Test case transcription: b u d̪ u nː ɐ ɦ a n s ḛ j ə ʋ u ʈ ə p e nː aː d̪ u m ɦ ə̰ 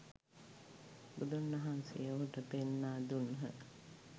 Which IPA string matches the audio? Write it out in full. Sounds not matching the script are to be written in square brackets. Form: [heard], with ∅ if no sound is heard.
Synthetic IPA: b u d̪ u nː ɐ ɦ a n s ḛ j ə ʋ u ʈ ə p e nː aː d̪ u [n] ɦ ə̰

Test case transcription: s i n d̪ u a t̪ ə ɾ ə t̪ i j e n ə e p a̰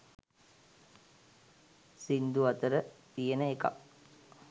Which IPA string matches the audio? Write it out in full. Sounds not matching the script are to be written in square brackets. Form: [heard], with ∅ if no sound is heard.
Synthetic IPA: s i n d̪ u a t̪ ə ɾ ə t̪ i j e n ə e [k] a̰

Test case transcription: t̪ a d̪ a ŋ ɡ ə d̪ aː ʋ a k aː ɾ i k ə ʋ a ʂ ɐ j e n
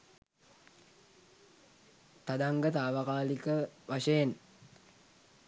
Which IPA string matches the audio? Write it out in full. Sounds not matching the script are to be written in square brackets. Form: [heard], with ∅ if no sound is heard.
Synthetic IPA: t̪ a d̪ a ŋ ɡ ə [t̪] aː ʋ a k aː [l] i k ə ʋ a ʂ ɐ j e n

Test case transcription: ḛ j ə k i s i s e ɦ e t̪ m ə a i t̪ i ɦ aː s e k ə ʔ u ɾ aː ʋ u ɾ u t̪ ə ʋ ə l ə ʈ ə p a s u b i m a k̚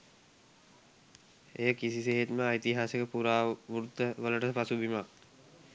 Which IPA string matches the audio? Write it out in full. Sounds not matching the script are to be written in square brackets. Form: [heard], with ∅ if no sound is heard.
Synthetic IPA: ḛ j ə k i s i s e ɦ e t̪ m ə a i t̪ i ɦ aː s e k ə [p] u ɾ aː ʋ u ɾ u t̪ ə ʋ ə l ə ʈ ə p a s u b i m a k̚

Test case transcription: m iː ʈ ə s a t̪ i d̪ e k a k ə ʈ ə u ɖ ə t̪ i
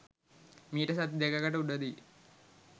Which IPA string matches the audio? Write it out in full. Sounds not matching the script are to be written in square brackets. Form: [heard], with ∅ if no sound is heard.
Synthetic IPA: m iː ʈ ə s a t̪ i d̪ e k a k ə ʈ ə u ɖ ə [d̪] i

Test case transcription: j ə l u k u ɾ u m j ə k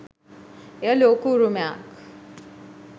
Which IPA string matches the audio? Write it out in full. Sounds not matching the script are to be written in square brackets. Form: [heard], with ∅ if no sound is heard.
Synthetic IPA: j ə l [o] k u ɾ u m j [a] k

